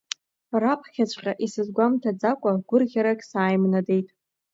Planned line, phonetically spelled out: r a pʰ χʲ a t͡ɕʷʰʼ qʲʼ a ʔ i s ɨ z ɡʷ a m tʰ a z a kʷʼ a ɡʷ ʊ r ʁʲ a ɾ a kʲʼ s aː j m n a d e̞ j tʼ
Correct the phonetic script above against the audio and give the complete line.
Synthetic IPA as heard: r a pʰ χʲ a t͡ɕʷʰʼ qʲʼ a ʔ i s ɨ z ɡʷ a m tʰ a d͡z a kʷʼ a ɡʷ ʊ r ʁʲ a ɾ a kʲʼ s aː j m n a d e̞ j tʼ